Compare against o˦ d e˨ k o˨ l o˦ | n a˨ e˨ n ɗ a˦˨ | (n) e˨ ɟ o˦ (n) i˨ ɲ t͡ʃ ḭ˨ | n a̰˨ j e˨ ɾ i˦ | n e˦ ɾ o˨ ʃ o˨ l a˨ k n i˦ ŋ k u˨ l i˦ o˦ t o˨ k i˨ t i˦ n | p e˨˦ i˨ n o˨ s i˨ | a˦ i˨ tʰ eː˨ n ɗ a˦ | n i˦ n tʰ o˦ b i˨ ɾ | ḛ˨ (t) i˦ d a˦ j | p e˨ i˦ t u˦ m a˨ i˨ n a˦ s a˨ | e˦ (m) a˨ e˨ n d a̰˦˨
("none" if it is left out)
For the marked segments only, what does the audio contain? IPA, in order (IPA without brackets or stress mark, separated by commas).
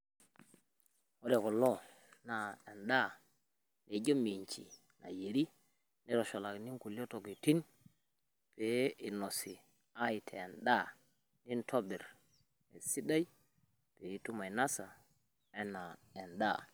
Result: n, m, s, n